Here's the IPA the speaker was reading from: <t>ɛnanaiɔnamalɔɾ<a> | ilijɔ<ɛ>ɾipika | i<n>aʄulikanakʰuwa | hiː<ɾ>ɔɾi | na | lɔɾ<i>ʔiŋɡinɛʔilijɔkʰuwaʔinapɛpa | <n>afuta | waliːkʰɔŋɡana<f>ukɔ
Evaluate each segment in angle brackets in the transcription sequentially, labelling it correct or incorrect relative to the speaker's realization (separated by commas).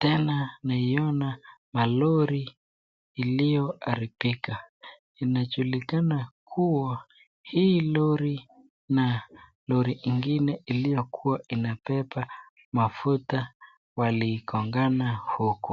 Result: correct, incorrect, incorrect, correct, incorrect, correct, incorrect, incorrect